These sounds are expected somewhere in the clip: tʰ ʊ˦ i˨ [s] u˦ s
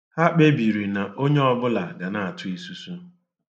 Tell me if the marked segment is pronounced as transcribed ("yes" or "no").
yes